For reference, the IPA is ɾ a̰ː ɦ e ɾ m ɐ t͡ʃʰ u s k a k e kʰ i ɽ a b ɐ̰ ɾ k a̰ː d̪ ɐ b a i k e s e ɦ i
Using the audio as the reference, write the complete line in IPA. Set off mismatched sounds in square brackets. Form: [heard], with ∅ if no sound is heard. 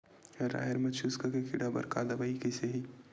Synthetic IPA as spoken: ɾ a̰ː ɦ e ɾ m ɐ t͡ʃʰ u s k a k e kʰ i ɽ a b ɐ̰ ɾ k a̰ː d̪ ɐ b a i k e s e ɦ i